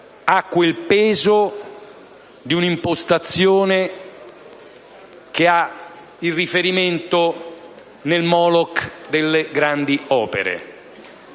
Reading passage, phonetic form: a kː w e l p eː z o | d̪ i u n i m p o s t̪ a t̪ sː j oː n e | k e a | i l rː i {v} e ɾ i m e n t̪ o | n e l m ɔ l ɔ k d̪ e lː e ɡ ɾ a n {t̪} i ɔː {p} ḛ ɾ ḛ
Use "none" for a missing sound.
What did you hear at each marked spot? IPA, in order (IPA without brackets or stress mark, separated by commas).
f, d̪, p